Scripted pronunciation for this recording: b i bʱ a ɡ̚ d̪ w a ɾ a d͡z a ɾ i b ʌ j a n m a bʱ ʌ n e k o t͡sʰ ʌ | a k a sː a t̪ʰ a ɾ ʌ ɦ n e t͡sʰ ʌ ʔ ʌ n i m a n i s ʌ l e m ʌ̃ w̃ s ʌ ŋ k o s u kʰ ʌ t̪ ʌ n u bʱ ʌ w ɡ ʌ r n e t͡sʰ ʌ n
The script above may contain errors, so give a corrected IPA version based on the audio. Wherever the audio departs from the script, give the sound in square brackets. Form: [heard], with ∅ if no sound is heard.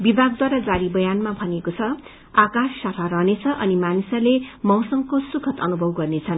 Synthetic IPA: b i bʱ a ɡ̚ d̪ w a ɾ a d͡z a ɾ i b ʌ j a n m a bʱ ʌ n e k o t͡sʰ ʌ | a k a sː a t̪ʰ a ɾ ʌ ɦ n e t͡sʰ ʌ ʔ ʌ n i m a n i s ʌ l e m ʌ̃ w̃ s ʌ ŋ k o s u kʰ ʌ t̪ ʌ n u bʱ ʌ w ɡ ʌ r n e t͡sʰ ʌ n